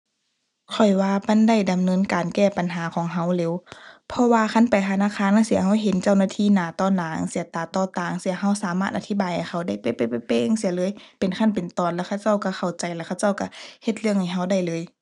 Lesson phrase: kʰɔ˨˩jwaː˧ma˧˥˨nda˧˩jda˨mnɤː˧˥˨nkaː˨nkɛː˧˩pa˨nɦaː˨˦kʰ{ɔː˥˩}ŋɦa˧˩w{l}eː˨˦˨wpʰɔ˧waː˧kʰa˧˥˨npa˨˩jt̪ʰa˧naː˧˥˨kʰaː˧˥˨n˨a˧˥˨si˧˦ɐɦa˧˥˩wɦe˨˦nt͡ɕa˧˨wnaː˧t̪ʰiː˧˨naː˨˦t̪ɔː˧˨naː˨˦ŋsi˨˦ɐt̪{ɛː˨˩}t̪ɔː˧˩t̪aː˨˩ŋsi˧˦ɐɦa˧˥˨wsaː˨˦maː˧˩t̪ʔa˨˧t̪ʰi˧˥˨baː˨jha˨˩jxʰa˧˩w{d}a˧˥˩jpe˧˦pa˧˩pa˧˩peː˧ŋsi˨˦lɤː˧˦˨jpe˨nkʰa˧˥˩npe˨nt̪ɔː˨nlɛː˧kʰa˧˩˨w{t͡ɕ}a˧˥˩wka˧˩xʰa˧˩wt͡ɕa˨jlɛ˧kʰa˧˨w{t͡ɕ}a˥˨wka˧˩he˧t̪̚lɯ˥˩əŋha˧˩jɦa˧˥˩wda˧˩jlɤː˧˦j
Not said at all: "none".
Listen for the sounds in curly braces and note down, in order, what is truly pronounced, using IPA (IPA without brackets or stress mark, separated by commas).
ɔː˨˦, l, aː˨˩, d, t͡ɕ, t͡ɕ